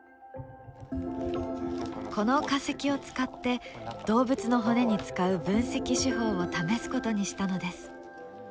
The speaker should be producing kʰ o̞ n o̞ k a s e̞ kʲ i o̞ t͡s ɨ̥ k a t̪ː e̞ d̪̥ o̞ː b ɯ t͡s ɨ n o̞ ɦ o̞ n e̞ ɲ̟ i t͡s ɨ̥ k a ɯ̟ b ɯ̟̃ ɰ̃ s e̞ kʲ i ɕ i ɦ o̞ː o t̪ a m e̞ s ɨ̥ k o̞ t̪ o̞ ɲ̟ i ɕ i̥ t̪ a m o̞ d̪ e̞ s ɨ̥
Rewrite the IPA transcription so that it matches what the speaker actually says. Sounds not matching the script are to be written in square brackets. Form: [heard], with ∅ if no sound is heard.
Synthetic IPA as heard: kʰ o̞ n o̞ k a s e̞ kʲ i o̞ t͡s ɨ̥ k a t̪ː e̞ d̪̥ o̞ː b ɯ t͡s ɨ n o̞ ɦ o̞ n e̞ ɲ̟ i t͡s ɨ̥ k a ɯ̟ b ɯ̟̃ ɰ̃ s e̞ kʲ i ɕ i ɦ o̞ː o t̪ a m e̞ s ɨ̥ k o̞ t̪ o̞ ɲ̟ i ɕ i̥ t̪ a [n] o̞ d̪ e̞ s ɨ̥